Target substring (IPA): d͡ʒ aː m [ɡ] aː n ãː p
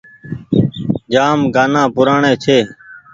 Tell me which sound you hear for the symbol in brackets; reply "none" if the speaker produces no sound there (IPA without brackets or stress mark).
ɡ